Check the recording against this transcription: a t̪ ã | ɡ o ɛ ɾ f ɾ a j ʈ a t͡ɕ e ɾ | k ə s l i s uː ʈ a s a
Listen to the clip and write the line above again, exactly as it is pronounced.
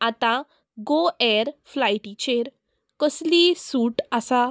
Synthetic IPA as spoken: a t̪ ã | ɡ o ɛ ɾ f l a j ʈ i t͡ɕ e ɾ | k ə s l i s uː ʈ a s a